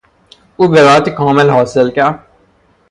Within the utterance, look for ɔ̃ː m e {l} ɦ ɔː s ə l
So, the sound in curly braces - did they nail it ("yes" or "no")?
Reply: yes